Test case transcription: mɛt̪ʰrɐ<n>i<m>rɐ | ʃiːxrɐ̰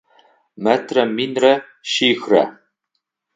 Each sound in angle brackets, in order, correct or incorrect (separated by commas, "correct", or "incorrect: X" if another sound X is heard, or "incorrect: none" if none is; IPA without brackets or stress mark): incorrect: m, incorrect: n